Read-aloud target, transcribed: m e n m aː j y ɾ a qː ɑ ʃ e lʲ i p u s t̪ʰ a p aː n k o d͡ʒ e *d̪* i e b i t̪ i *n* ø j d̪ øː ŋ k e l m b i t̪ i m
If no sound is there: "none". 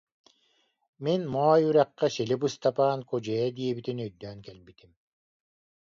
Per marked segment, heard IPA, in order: d̪, n

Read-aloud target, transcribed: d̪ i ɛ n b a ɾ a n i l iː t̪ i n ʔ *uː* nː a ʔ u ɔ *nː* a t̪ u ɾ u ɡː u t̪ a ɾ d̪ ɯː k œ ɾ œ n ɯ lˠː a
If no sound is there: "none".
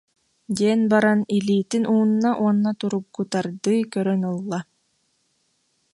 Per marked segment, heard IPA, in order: uː, nː

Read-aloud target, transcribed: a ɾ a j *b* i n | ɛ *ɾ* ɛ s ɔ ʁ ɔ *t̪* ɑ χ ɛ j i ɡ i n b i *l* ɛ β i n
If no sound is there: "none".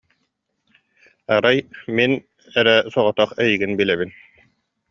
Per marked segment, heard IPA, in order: m, ɾ, t̪, l

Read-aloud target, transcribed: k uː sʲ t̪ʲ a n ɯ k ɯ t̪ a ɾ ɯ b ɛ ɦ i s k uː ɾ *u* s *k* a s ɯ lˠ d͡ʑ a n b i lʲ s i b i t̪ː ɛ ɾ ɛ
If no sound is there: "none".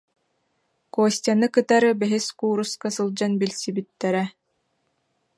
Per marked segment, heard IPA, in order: u, k

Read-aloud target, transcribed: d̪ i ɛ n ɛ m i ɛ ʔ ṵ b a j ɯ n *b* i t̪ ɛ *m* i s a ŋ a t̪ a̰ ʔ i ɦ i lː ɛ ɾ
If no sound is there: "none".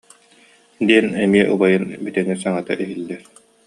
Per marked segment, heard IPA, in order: b, ŋ

